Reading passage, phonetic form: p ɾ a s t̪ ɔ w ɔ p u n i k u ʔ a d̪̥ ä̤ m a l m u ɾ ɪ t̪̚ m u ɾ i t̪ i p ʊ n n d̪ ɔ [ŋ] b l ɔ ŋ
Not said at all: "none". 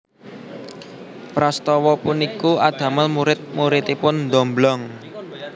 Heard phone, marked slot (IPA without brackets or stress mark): m